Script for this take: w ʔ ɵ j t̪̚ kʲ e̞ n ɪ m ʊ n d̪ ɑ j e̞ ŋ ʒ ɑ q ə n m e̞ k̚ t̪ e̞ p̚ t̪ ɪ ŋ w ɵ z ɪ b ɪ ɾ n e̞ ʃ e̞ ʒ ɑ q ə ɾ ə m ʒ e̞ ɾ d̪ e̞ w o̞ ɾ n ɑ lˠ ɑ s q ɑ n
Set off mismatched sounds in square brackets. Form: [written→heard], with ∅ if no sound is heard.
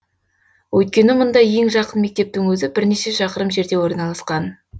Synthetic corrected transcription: w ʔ ɵ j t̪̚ kʲ e̞ n ɪ m ʊ n d̪ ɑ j e̞ ŋ ʒ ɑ q ə n m e̞ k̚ t̪ e̞ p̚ t̪ ɪ ŋ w ɵ z ɪ b ɪ ɾ n e̞ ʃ e̞ [ʒ→ʃ] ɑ q ə ɾ ə m ʒ e̞ ɾ d̪ e̞ w o̞ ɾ n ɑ lˠ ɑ s q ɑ n

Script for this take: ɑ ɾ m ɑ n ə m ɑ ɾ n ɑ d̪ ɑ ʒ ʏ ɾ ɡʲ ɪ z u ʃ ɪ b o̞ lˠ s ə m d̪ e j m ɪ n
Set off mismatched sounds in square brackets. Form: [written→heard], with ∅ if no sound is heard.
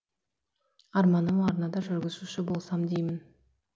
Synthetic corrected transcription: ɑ ɾ m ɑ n ə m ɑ ɾ n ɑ d̪ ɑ ʒ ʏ ɾ ɡʲ ɪ z u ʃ ɪ b o̞ lˠ s [ə→ɑ] m d̪ e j m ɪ n

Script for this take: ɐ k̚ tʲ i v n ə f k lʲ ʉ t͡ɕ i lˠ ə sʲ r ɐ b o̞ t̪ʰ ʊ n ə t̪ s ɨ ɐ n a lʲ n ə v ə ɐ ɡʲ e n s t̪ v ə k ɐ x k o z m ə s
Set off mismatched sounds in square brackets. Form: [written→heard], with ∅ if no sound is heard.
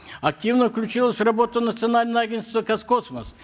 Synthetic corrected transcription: ɐ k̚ tʲ i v n ə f k lʲ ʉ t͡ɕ i lˠ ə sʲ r ɐ b o̞ [t̪ʰ→t̪] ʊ n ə t̪ s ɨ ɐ n a lʲ n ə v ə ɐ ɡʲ e n s t̪ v ə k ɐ [x→s] k o [z→s] m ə s

